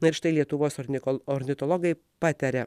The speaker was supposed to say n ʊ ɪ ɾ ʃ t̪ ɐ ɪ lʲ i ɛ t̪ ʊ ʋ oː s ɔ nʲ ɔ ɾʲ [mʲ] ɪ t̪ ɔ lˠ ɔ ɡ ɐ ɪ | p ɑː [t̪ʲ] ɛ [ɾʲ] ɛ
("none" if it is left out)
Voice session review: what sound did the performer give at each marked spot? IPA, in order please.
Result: nʲ, t̪ʲ, ɾʲ

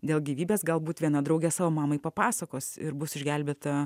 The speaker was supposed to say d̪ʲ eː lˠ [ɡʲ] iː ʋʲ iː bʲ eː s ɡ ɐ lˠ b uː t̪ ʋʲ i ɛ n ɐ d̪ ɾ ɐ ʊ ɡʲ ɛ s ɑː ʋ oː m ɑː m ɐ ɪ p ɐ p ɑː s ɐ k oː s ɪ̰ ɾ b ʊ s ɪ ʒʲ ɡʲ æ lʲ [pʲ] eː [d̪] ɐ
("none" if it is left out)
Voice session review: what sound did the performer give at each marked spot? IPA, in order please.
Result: ɡʲ, bʲ, t̪

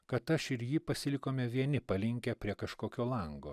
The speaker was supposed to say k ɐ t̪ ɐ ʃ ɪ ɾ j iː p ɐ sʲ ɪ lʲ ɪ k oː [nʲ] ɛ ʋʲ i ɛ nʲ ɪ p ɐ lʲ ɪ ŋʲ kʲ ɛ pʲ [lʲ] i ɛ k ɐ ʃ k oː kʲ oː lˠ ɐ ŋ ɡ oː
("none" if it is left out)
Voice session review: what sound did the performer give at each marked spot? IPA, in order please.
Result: mʲ, ɾʲ

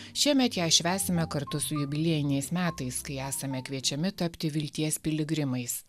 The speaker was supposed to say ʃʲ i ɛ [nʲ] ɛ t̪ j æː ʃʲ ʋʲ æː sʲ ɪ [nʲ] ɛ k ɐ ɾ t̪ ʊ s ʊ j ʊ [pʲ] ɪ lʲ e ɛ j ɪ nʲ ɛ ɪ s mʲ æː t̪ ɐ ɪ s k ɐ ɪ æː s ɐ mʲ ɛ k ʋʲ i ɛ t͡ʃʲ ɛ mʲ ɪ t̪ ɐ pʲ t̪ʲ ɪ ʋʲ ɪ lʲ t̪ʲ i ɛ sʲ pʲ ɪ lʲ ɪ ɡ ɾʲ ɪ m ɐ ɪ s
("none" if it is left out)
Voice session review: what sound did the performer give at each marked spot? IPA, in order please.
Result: mʲ, mʲ, bʲ

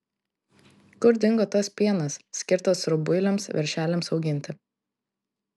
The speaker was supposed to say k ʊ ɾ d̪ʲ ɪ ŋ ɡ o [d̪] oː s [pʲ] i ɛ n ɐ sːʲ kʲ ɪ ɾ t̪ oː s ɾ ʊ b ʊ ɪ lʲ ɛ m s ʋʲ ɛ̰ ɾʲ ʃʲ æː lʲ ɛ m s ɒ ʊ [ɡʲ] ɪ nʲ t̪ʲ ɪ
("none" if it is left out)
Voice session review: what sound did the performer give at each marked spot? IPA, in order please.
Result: t̪, pʲ, ɡʲ

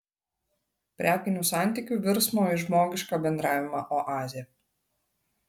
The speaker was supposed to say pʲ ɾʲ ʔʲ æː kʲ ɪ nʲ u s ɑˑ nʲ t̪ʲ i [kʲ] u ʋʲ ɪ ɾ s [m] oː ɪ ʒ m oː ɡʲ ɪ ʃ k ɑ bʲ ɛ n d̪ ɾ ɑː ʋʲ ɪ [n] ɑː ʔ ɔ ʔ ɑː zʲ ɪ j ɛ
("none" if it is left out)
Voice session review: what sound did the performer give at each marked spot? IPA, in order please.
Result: kʲ, m, m

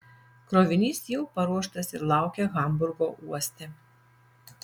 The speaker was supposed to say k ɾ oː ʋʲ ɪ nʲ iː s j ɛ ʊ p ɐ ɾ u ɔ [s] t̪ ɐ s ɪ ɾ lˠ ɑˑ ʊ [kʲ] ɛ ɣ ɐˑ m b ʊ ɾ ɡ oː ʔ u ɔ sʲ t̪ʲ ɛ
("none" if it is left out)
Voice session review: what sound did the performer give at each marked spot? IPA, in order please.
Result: ʃ, kʲ

